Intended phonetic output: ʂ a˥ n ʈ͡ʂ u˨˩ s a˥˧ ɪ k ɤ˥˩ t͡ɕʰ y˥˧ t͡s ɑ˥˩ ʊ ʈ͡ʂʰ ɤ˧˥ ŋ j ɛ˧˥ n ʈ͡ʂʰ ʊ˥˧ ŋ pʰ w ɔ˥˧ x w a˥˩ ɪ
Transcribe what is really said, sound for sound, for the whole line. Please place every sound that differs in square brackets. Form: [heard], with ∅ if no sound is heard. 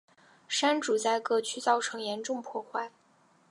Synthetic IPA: ʂ a˥ n ʈ͡ʂ u˨˩ [t͡s] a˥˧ ɪ k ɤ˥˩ t͡ɕʰ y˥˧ t͡s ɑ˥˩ ʊ ʈ͡ʂʰ ɤ˧˥ ŋ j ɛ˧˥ n [ʈ͡ʂ] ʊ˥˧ ŋ pʰ w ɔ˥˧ x w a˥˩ ɪ